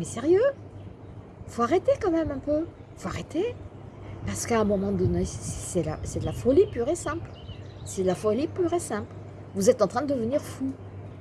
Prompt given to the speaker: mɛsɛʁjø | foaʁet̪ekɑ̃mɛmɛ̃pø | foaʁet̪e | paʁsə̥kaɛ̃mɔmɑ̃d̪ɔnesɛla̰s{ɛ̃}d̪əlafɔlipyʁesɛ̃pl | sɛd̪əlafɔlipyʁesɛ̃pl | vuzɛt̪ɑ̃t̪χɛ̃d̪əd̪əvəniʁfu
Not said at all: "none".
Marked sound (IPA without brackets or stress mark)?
ɛ